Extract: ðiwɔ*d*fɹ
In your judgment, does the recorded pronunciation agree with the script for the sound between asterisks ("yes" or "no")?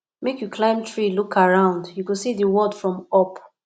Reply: yes